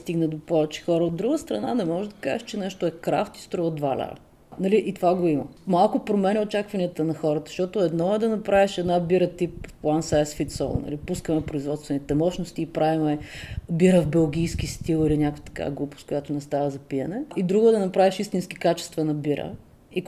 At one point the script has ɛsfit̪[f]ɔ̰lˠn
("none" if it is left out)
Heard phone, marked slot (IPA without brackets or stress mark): s